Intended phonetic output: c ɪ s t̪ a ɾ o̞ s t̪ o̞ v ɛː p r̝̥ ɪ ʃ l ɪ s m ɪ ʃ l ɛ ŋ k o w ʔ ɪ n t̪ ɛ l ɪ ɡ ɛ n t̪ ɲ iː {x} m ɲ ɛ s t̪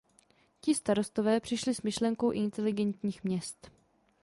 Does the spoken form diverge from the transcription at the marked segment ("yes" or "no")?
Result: no